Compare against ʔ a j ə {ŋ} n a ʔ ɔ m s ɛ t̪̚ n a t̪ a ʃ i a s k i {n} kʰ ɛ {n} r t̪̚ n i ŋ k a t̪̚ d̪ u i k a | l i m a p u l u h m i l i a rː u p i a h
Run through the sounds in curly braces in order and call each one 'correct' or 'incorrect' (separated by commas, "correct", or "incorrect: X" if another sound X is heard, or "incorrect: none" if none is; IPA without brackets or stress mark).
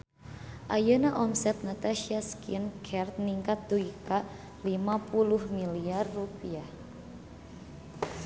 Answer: incorrect: none, correct, incorrect: none